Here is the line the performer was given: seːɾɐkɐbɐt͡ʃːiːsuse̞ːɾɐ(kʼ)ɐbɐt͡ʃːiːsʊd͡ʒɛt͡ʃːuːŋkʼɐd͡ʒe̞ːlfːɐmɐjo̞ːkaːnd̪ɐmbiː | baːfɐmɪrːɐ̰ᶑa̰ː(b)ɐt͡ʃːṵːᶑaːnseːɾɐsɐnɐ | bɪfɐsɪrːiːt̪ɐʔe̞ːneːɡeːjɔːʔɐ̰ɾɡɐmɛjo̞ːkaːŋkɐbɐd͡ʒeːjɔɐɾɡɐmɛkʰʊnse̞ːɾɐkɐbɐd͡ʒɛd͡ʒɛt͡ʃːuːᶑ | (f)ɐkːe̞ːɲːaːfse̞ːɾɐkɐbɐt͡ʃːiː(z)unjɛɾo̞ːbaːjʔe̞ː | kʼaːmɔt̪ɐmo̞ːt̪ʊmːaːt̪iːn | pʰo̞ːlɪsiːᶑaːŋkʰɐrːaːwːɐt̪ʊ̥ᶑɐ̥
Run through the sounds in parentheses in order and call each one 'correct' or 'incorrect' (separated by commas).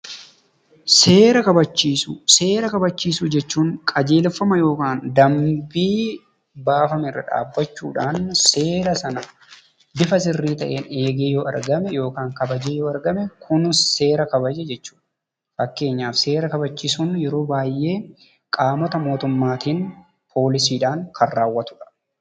incorrect, incorrect, correct, incorrect